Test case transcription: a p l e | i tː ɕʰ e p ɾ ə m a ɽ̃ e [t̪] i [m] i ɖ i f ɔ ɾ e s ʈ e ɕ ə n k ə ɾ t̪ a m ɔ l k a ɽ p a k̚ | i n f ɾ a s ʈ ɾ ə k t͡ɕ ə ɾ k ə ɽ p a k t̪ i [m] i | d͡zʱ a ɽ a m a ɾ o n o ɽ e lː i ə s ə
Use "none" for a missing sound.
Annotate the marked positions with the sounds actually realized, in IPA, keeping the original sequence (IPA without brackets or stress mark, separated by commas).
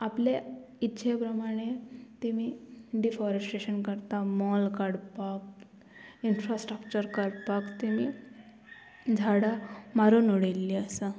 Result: t̪, m, m